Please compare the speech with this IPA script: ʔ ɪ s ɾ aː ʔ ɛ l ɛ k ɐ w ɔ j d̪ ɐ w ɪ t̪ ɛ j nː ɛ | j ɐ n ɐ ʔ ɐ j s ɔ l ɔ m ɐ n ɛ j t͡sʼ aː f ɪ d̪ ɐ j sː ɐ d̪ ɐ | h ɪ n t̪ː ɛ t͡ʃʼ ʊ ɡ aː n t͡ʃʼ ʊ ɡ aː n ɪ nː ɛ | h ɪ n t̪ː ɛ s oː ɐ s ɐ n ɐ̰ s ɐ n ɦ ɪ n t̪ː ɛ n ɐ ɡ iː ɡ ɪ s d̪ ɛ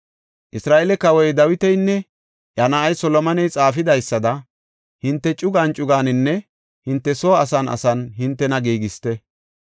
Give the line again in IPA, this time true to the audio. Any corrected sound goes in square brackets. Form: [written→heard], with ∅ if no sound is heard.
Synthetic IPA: ʔ ɪ s ɾ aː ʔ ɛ l ɛ k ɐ w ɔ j d̪ ɐ w ɪ t̪ ɛ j nː ɛ | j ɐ n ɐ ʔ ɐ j s ɔ l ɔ m ɐ n ɛ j t͡sʼ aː f ɪ d̪ ɐ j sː ɐ d̪ ɐ | h ɪ n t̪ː ɛ t͡ʃʼ ʊ ɡ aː n t͡ʃʼ ʊ ɡ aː n ɪ nː ɛ | h ɪ n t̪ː ɛ s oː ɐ s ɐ n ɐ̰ s ɐ n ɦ ɪ n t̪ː ɛ n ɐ ɡ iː ɡ ɪ s [d̪→t̪] ɛ

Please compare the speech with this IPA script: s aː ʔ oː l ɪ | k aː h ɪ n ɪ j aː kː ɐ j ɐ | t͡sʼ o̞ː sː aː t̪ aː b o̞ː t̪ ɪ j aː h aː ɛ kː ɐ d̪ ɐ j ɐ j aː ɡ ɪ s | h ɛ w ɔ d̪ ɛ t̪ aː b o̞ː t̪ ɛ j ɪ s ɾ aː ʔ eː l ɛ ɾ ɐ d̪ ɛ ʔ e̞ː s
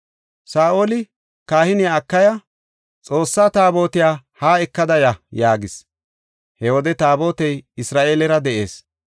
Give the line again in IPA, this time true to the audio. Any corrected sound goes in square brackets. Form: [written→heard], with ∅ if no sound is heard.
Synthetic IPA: s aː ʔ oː l ɪ | k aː h ɪ n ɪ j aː kː ɐ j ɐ | t͡sʼ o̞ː sː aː t̪ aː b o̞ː t̪ ɪ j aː h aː ɛ kː ɐ d̪ ɐ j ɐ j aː ɡ ɪ s | h ɛ w ɔ d̪ ɛ t̪ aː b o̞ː t̪ ɛ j ɪ s ɾ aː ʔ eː l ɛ ɾ ɐ d̪ ɛ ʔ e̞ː s

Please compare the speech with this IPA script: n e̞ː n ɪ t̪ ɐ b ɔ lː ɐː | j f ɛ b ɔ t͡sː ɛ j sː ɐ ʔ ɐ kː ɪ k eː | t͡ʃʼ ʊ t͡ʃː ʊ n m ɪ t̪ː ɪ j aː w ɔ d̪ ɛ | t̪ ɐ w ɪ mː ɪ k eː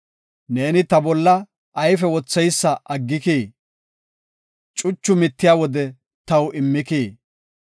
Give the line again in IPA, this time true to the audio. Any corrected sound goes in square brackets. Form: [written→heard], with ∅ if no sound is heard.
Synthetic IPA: n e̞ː n ɪ t̪ ɐ b ɔ lː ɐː | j f ɛ [b→w] ɔ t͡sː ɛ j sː ɐ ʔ ɐ [kː→ɡː] ɪ k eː | t͡ʃʼ ʊ t͡ʃː ʊ [n→∅] m ɪ t̪ː ɪ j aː w ɔ d̪ ɛ | t̪ ɐ w ɪ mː ɪ k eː

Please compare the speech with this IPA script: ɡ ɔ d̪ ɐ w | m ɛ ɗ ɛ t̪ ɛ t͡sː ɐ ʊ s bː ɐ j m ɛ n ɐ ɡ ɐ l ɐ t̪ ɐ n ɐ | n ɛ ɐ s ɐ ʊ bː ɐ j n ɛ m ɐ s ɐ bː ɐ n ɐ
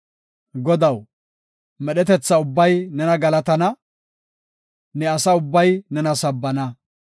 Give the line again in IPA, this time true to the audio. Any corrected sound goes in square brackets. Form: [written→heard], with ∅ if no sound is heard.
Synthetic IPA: ɡ ɔ d̪ ɐ w | m ɛ ɗ ɛ t̪ ɛ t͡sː ɐ ʊ [s→∅] bː ɐ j [m→n] ɛ n ɐ ɡ ɐ l ɐ t̪ ɐ n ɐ | n ɛ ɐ s ɐ ʊ bː ɐ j n ɛ [m→n] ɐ s ɐ bː ɐ n ɐ

